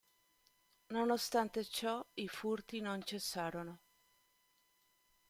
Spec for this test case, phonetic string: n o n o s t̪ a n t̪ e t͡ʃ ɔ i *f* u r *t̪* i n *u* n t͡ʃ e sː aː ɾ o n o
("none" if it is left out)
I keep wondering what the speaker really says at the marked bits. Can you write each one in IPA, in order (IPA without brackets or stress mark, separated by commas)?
f, t̪, o